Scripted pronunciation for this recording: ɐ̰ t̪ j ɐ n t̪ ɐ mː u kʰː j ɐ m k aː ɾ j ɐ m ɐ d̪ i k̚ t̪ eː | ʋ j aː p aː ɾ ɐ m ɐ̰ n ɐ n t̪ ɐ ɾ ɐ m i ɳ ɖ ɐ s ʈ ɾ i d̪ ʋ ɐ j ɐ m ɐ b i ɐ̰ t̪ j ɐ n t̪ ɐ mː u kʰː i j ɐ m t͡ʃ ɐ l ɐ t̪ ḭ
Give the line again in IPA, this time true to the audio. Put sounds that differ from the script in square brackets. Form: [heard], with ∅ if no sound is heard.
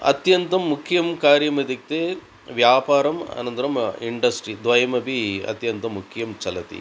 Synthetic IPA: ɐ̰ t̪ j ɐ n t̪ ɐ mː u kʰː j ɐ m k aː ɾ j ɐ m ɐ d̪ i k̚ t̪ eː | ʋ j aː p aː ɾ ɐ m ɐ̰ n ɐ n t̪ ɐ ɾ ɐ m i ɳ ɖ ɐ s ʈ ɾ i d̪ ʋ ɐ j ɐ m ɐ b i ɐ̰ t̪ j ɐ n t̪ ɐ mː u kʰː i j ɐ m t͡ʃ ɐ l ɐ t̪ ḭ

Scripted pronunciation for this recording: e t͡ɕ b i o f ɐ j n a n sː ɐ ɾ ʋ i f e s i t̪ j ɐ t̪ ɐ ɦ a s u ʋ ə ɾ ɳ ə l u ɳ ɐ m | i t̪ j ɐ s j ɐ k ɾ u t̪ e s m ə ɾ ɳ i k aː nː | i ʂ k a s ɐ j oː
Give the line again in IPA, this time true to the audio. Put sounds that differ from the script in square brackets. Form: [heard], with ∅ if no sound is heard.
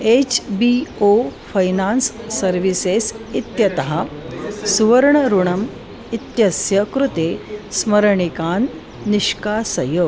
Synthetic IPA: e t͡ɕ b i o f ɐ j n a n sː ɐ ɾ ʋ i [s] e s i t̪ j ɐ t̪ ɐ ɦ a s u ʋ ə ɾ ɳ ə [ɾ] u ɳ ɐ m | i t̪ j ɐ s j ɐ k ɾ u t̪ e s m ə ɾ ɳ i k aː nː | i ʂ k a s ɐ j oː

